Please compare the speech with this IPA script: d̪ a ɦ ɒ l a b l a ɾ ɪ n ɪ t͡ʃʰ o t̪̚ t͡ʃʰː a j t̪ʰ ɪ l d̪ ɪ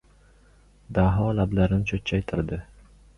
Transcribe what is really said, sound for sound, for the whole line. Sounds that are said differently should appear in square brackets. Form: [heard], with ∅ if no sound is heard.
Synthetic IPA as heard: d̪ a ɦ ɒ l a b l a ɾ ɪ n ɪ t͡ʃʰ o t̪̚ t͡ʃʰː a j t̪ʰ ɪ [ɾ] d̪ ɪ